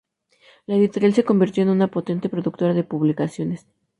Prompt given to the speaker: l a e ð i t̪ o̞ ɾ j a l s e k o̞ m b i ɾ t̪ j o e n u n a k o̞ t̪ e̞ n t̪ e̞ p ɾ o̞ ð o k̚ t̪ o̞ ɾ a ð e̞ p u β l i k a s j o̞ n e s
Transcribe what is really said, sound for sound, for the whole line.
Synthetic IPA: l a e ð i t̪ o̞ ɾ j a l s e k o̞ m b i ɾ t̪ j o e n u n a p o̞ t̪ e̞ n t̪ e̞ p ɾ o̞ ð u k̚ t̪ o̞ ɾ a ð e̞ p u β l i k a s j o̞ n e s